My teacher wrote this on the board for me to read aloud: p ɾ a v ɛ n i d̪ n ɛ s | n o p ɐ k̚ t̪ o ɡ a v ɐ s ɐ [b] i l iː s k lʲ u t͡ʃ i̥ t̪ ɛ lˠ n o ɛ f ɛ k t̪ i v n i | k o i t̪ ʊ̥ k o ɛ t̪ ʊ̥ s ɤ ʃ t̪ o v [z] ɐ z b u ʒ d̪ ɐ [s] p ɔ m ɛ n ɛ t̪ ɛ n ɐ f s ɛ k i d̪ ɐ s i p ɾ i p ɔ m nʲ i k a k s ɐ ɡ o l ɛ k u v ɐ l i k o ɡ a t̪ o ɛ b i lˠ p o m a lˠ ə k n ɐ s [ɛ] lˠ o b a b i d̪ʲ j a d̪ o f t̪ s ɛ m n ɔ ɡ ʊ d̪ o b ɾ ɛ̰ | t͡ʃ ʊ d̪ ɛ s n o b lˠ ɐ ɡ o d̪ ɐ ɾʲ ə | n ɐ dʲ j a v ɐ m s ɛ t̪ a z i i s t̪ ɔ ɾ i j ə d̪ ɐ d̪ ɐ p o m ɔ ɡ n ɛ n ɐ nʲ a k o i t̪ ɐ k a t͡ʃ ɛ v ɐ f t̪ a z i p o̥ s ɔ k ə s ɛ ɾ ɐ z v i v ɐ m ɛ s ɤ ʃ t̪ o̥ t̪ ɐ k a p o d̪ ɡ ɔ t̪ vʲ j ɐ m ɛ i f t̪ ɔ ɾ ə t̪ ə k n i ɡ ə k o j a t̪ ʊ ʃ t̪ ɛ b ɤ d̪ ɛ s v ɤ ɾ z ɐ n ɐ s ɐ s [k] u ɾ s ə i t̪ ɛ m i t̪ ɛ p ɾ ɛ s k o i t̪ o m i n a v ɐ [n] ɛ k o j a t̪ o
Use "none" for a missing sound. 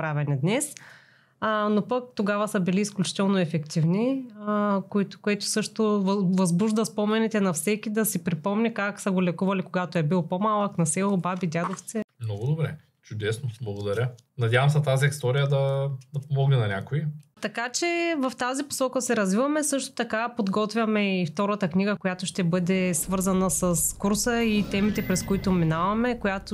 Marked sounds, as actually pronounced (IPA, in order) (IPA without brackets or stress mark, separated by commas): b, v, s, ɛ, k, m